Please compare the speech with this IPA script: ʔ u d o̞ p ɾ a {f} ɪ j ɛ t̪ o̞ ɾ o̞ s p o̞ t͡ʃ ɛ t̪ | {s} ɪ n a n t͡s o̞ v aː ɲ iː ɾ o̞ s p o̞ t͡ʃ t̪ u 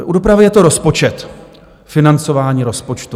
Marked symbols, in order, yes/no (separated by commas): no, no